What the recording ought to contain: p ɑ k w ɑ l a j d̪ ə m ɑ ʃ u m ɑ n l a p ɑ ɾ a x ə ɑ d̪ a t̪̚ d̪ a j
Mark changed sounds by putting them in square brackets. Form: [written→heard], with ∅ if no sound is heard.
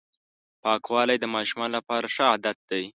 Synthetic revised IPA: p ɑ k w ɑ l a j d̪ ə m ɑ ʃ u m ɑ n l a p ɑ ɾ a [x→ʂ] ə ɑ d̪ a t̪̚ d̪ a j